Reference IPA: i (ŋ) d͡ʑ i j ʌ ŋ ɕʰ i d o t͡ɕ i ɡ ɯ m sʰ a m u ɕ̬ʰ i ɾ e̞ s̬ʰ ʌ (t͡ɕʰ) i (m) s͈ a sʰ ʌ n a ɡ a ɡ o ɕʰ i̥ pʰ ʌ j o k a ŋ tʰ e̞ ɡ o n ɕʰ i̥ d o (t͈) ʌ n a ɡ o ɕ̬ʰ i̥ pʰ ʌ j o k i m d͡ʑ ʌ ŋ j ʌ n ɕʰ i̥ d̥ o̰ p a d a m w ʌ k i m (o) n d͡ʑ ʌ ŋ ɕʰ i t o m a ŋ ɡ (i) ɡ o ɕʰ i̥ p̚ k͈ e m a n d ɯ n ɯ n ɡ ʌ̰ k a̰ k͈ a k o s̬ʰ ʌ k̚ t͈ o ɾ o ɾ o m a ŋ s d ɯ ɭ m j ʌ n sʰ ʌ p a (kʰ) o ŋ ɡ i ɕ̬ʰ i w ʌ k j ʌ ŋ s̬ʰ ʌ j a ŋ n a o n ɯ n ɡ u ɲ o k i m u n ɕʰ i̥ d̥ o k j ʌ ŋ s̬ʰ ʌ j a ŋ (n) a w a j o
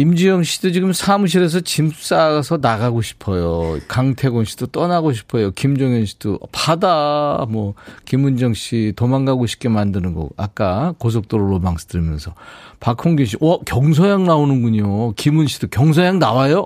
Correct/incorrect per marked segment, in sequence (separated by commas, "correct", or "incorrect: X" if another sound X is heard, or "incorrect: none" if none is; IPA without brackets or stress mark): incorrect: m, incorrect: t͡ɕ, correct, correct, incorrect: u, incorrect: a, correct, correct